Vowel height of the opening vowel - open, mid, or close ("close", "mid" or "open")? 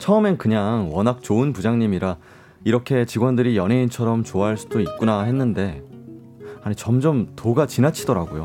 mid